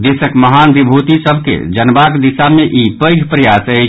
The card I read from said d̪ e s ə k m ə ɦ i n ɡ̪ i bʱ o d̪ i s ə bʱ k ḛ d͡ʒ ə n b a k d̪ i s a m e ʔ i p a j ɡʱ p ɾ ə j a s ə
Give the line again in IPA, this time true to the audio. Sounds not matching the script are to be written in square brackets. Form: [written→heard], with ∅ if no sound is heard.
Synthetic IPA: d̪ e s ə k m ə ɦ [i→a] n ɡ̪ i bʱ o [d̪→t̪] i s ə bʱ k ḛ d͡ʒ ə n b a k d̪ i s a m e ʔ i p [a→ə] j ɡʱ p ɾ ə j a s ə